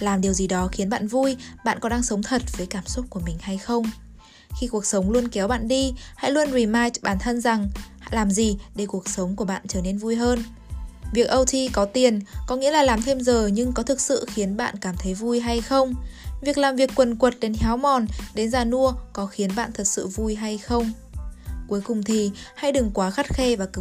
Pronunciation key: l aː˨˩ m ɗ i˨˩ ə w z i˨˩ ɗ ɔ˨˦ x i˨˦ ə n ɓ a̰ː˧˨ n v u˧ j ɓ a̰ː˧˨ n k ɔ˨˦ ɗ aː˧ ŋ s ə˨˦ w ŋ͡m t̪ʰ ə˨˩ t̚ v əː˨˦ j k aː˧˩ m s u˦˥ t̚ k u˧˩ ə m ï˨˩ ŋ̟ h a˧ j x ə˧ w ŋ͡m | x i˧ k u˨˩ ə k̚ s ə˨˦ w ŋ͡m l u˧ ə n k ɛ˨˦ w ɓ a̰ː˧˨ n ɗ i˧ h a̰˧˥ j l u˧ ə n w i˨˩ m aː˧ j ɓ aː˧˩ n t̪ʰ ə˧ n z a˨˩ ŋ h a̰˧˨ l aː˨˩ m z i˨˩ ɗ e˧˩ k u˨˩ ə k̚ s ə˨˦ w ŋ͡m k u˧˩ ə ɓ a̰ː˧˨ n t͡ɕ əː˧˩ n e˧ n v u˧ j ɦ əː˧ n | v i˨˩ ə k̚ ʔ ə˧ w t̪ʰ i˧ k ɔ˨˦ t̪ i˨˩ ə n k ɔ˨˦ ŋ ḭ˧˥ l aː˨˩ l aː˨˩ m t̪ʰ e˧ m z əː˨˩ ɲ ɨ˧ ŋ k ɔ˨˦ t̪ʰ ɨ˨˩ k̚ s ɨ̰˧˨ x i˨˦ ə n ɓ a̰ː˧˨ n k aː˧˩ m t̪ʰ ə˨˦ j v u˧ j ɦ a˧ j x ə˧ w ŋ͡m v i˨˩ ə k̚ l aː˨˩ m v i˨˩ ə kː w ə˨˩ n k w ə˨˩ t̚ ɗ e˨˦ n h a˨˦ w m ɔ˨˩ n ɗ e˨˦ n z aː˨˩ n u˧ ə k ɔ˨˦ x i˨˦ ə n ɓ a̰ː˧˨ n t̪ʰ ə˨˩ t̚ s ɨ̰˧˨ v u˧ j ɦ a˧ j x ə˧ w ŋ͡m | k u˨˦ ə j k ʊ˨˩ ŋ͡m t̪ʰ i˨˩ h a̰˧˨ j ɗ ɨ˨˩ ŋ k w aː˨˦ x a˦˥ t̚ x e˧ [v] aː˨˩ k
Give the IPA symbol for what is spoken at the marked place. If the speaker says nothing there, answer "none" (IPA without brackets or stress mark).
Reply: v